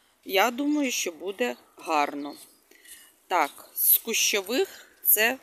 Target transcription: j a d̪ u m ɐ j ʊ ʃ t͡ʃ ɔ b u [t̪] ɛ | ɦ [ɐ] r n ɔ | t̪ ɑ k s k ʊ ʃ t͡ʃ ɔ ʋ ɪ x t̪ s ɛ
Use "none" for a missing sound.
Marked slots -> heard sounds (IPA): d̪, ɑ

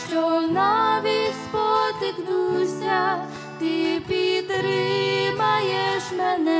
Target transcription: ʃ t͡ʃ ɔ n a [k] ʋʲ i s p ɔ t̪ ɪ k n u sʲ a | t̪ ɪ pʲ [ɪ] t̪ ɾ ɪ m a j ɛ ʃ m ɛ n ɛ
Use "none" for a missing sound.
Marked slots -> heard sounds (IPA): none, i

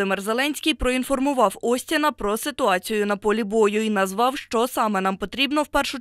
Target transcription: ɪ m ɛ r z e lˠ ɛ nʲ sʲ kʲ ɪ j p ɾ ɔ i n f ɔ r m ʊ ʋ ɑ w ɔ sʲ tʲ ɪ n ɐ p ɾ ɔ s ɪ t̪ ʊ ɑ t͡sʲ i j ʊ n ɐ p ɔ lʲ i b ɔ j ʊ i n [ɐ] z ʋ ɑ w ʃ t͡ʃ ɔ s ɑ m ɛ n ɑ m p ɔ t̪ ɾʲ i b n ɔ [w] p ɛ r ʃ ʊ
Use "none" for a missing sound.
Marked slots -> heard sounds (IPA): ɐ, w

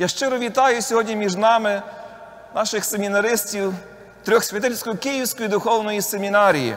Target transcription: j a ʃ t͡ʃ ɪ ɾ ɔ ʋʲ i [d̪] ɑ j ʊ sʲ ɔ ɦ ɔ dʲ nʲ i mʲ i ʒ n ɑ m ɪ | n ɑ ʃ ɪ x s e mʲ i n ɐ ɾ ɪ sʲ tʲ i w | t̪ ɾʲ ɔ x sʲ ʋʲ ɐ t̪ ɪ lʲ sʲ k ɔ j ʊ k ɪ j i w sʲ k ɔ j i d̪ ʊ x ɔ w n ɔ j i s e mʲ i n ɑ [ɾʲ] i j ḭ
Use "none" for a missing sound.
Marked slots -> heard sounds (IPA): t̪, ɾʲ

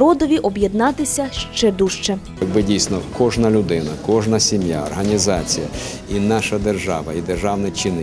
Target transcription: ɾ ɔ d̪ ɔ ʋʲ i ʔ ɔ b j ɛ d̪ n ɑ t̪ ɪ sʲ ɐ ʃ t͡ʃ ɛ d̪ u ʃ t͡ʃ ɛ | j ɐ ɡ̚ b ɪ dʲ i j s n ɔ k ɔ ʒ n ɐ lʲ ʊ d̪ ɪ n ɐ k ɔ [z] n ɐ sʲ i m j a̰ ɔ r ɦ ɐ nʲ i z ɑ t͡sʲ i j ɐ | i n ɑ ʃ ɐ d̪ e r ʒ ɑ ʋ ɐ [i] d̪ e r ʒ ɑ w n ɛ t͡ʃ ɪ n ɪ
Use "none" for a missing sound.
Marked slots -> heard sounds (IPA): ʒ, i

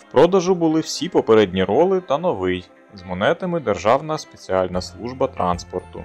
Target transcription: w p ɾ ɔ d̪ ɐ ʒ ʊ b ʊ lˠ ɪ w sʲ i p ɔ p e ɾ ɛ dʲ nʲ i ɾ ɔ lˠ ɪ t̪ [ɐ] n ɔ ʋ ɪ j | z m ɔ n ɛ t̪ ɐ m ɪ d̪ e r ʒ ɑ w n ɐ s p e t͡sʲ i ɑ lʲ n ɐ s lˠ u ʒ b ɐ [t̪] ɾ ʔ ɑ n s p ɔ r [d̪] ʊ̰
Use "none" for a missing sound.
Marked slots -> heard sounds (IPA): ɐ, t̪, t̪

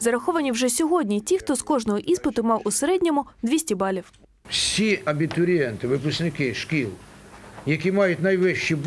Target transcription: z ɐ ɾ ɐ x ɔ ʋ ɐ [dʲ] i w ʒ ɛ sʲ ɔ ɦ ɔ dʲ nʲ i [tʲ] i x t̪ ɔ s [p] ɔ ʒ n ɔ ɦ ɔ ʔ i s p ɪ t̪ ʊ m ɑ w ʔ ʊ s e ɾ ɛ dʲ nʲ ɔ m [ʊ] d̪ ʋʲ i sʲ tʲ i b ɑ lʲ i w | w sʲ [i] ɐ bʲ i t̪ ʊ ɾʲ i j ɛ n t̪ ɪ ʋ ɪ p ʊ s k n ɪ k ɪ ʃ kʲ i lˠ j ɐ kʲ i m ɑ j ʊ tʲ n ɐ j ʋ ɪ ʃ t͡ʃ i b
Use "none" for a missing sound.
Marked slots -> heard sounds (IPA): nʲ, tʲ, k, ʊ, i

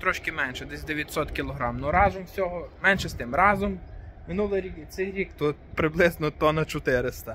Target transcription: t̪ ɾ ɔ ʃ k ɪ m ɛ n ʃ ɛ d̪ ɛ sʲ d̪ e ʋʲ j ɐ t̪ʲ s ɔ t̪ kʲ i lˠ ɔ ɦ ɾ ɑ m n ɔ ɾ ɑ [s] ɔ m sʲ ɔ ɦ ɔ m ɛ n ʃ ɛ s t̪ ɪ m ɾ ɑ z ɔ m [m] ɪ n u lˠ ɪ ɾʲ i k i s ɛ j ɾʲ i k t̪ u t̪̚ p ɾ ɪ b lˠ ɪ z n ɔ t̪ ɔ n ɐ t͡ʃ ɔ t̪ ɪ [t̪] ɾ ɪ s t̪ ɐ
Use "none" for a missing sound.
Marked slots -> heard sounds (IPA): z, m, none

